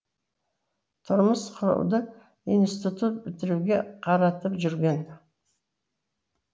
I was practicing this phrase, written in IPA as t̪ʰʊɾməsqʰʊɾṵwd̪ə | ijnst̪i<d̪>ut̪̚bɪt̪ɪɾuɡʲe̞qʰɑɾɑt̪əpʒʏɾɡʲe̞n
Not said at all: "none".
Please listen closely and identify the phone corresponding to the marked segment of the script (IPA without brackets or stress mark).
t̪